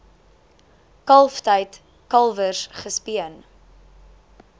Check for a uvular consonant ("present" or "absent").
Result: present